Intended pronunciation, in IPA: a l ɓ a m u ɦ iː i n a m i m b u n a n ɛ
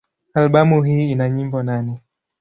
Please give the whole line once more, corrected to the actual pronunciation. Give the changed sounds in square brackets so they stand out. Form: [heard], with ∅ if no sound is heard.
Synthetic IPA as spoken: a l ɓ a m u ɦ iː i n a [ɲ] i m b [ɔ] n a n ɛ